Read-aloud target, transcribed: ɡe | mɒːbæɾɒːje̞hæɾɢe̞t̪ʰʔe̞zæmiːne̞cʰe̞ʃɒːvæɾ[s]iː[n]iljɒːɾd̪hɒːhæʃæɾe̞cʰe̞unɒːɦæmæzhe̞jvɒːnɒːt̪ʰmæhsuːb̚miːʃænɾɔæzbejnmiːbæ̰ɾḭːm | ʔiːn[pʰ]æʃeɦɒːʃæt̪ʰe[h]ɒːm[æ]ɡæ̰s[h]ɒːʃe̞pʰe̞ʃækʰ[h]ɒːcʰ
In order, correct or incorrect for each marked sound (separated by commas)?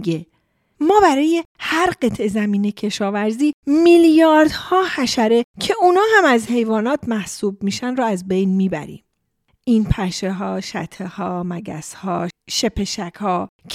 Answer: incorrect, incorrect, correct, correct, correct, correct, correct